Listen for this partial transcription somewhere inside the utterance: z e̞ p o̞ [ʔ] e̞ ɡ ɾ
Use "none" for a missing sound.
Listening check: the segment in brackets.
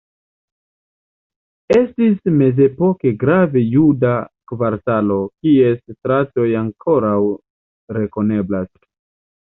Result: k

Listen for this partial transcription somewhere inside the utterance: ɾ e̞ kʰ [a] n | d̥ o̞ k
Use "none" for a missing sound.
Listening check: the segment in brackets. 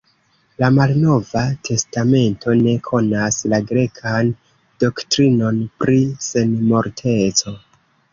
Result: a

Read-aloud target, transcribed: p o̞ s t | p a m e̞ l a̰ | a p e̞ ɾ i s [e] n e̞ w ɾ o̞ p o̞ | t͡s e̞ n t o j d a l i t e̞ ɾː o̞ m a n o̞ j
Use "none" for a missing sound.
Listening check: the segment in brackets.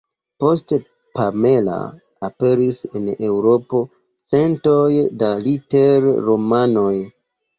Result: e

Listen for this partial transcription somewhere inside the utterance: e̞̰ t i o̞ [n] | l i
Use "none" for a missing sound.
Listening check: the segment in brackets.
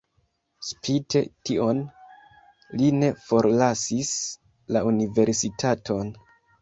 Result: n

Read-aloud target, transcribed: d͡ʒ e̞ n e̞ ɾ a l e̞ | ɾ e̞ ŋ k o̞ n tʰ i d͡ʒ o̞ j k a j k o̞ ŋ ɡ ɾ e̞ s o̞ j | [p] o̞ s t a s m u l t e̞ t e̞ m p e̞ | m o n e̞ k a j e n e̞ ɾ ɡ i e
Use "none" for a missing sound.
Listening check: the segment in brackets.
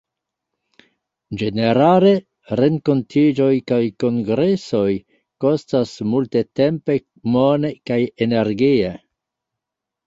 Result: k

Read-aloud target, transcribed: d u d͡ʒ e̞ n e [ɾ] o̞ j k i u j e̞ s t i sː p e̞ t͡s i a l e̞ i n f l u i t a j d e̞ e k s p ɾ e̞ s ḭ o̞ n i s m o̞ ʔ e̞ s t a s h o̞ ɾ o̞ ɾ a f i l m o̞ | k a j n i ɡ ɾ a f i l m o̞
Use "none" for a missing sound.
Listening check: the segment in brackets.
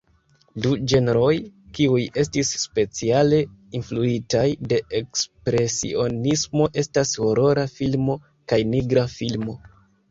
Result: ɾ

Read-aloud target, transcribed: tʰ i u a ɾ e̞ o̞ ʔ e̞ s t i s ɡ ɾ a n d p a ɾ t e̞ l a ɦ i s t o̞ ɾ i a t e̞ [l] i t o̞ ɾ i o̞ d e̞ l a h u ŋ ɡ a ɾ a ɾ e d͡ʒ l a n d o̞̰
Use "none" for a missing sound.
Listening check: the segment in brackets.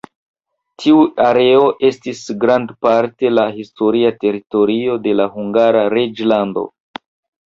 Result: ɾ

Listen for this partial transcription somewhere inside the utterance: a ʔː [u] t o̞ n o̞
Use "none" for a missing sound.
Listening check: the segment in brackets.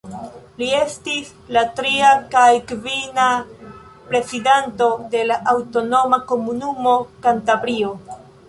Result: w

